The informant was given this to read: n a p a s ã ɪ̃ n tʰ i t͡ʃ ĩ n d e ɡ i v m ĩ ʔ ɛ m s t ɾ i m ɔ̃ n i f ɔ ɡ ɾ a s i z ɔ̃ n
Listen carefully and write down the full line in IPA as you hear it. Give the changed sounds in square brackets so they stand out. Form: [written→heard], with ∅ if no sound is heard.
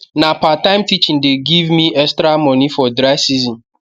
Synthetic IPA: n a p a [s→t] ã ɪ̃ [n→m] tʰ i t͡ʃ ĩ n d e ɡ i v m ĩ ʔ ɛ [m→∅] s t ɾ [i→a] m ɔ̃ n i f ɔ [ɡ→d] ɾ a s i z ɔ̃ n